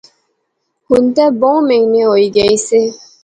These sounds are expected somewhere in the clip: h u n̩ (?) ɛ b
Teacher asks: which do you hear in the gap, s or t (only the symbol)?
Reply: t